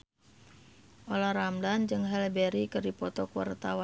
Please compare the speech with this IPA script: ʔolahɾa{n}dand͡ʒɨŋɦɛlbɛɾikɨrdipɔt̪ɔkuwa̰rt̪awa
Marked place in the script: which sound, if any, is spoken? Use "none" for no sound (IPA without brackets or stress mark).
m